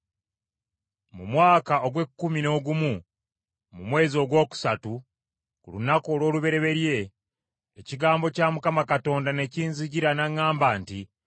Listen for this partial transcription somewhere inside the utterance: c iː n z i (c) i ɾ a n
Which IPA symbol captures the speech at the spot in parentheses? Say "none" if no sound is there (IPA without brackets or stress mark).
ɟ